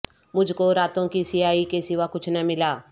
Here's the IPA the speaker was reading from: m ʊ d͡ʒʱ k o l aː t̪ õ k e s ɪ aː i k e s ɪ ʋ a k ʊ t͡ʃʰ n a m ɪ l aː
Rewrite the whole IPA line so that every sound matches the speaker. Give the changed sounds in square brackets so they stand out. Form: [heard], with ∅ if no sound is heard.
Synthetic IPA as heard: m ʊ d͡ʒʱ k o [ɾ] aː t̪ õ k [i] s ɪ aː i k e s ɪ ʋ a k ʊ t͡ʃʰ n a m ɪ l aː

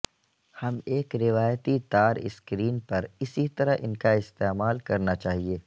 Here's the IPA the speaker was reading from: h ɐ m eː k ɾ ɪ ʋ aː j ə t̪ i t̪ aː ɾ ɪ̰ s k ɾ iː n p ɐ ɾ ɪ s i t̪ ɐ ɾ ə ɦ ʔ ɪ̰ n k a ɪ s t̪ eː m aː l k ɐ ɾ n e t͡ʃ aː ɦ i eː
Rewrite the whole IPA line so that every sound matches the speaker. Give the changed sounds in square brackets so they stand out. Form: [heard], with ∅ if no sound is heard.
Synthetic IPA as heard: h ɐ m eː k ɾ ɪ ʋ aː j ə t̪ i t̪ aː ɾ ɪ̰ s k ɾ iː n p ɐ ɾ ɪ s i t̪ ɐ ɾ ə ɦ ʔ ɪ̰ n k a ɪ s t̪ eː m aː l k ɐ ɾ n [a] t͡ʃ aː ɦ i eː

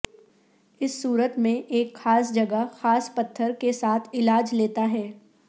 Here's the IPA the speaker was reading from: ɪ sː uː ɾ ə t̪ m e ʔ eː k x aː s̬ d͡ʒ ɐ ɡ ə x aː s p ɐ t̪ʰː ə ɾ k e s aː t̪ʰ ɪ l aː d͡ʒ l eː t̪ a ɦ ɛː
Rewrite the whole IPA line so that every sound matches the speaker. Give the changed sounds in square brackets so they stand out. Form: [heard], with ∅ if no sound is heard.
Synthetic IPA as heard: ɪ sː uː ɾ ə t̪ m [ẽ] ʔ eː k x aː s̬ d͡ʒ ɐ ɡ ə x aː s p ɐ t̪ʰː ə ɾ k e s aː t̪ʰ ɪ l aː d͡ʒ l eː t̪ a ɦ ɛː

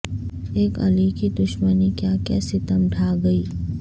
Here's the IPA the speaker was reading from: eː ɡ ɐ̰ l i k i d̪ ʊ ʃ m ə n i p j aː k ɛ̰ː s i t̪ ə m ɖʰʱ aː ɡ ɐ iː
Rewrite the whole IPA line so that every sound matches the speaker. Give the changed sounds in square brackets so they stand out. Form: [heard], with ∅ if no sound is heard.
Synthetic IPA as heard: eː [k] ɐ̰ l i k i d̪ ʊ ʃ m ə n i [k] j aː k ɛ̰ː s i t̪ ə m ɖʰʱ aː ɡ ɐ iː

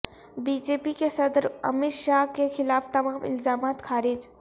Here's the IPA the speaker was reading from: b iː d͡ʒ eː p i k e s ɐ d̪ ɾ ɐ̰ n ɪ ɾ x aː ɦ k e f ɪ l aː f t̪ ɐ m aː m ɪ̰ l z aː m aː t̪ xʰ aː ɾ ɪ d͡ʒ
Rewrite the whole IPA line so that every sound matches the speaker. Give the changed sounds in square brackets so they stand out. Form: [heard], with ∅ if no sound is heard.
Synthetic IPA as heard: b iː d͡ʒ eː p i k e s ɐ d̪ ɾ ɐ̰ [m] ɪ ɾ [ʃ] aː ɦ k e [x] ɪ l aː f t̪ ɐ m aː m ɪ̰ l z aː m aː t̪ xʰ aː ɾ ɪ d͡ʒ

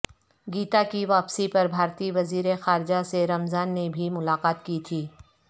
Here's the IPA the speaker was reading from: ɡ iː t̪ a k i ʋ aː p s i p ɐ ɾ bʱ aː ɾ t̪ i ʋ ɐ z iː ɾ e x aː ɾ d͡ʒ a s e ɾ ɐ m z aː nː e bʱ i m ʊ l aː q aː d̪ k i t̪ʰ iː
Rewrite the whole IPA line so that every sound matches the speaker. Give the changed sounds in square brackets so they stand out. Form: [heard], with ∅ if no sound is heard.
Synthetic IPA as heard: ɡ iː t̪ a k i ʋ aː p s i p ɐ ɾ bʱ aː ɾ t̪ i ʋ ɐ z iː ɾ e x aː ɾ d͡ʒ a s e ɾ ɐ m z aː nː e bʱ i m ʊ l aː q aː [t̪] k i t̪ʰ iː

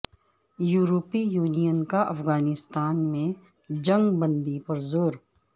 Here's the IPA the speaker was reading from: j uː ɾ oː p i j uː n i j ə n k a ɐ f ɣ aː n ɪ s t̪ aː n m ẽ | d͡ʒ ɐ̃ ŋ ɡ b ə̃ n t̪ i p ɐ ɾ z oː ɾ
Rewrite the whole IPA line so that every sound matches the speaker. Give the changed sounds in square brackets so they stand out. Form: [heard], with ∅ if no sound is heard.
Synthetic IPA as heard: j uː ɾ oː p i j uː n i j ə n k a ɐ f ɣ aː n ɪ s t̪ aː n m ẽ | d͡ʒ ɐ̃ ŋ ɡ b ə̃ n [d̪] i p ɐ ɾ z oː ɾ

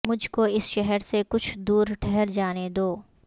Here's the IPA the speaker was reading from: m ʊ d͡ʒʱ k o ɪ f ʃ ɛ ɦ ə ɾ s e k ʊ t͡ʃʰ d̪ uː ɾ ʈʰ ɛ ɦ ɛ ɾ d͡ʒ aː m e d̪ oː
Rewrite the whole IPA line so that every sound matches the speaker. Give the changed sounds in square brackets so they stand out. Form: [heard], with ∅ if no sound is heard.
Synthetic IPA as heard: m ʊ d͡ʒʱ k o ɪ [s] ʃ ɛ ɦ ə ɾ s e k ʊ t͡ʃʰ d̪ uː ɾ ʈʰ ɛ ɦ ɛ ɾ d͡ʒ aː [n] e d̪ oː

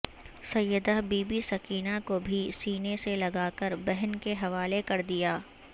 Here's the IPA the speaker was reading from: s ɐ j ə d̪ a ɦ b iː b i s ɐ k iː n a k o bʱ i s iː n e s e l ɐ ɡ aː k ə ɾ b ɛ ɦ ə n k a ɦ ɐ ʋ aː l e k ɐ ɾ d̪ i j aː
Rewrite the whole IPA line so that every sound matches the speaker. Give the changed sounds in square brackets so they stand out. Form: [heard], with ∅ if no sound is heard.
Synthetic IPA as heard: s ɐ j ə d̪ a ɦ b iː b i s ɐ k iː n a k o bʱ i s iː n e s e l ɐ ɡ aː k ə ɾ b ɛ ɦ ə n k [e] ɦ ɐ ʋ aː l e k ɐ ɾ d̪ i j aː

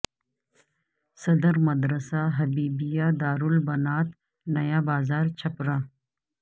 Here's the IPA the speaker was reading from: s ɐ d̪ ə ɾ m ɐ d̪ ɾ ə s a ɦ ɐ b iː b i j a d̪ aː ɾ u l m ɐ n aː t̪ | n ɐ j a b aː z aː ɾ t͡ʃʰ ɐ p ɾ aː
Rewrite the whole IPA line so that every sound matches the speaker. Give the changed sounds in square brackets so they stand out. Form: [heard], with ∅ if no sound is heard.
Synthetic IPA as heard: s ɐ d̪ ə ɾ m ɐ d̪ ɾ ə s a ɦ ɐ b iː b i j a d̪ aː ɾ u l [b] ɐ n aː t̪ | n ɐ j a b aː z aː ɾ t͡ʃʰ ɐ p ɾ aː

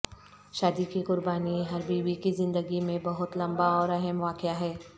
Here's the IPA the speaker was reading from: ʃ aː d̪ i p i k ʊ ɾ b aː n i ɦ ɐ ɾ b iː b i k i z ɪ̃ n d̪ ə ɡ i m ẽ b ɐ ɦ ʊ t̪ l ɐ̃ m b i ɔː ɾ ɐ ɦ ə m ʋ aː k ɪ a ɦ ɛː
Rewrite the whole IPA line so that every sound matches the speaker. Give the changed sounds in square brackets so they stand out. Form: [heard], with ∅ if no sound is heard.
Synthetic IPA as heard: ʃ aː d̪ i [k] i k ʊ ɾ b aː n i ɦ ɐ ɾ b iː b i k i z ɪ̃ n d̪ ə ɡ i m ẽ b ɐ ɦ ʊ t̪ l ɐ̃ m b [a] ɔː ɾ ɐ ɦ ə m ʋ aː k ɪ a ɦ ɛː

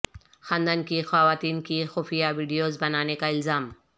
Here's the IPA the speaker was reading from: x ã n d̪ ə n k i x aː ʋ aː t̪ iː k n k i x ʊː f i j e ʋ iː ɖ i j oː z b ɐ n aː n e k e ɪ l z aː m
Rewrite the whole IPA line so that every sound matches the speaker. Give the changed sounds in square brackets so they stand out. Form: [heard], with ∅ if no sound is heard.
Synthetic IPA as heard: x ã n d̪ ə n k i x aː ʋ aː t̪ iː [∅] n k i x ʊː f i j [a] ʋ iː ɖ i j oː z b ɐ n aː n e k [a] ɪ l z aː m

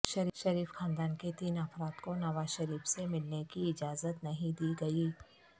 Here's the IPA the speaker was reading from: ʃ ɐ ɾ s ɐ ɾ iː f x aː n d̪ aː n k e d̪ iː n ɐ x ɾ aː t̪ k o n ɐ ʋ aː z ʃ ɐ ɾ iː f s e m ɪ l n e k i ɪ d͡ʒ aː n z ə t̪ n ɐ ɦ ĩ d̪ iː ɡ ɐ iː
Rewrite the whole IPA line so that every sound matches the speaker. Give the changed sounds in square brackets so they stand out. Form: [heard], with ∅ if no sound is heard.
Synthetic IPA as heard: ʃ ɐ ɾ [ʃ] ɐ ɾ iː f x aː n d̪ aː n k e [t̪] iː n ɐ [f] ɾ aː t̪ k o n ɐ ʋ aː z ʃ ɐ ɾ iː f s e m ɪ l n e k i ɪ d͡ʒ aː [∅] z ə t̪ n ɐ ɦ ĩ d̪ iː ɡ ɐ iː

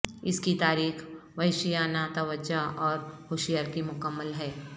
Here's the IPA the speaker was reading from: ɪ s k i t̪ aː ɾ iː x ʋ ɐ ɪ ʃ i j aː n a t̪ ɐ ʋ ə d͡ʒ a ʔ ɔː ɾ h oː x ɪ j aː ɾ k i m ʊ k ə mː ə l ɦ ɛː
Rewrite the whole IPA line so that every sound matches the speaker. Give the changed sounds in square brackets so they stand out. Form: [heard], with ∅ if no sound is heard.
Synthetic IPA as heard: ɪ s k i t̪ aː ɾ iː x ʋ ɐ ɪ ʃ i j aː n a t̪ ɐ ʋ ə d͡ʒ a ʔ ɔː ɾ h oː [ʃ] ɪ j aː ɾ k i m ʊ k ə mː ə l ɦ ɛː

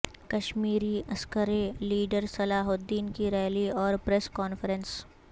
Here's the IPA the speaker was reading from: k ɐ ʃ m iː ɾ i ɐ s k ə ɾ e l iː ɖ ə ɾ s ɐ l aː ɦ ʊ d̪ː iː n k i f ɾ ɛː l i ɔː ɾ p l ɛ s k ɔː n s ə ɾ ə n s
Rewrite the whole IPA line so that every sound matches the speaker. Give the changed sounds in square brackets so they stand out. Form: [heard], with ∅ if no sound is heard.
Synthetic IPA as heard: k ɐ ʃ m iː ɾ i ɐ s k ə ɾ e l iː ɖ ə ɾ s ɐ l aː ɦ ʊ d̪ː iː n k i [∅] ɾ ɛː l i ɔː ɾ p [ɾ] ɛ s k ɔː n [f] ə ɾ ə n s

